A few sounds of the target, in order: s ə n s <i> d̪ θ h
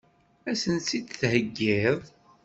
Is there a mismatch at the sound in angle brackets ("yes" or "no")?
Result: no